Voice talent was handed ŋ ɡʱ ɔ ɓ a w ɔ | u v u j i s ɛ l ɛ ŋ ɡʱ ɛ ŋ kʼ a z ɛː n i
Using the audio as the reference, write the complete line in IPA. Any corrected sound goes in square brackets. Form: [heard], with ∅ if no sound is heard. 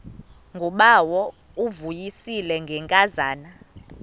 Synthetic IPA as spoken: ŋ ɡʱ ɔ ɓ a w ɔ | u v u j i s [i] l ɛ ŋ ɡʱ ɛ ŋ kʼ a z [aː] n [a]